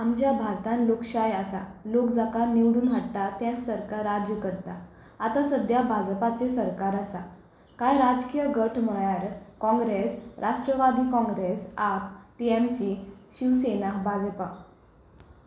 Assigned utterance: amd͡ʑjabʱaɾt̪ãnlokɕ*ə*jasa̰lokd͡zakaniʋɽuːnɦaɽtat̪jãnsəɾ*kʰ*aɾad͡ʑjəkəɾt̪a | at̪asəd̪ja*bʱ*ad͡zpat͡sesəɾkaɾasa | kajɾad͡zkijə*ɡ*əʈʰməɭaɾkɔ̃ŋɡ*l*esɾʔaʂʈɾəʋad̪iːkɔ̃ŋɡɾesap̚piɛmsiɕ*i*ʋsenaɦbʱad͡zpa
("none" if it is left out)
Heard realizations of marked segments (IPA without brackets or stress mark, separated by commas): a, k, bʱ, ɡ, ɾ, i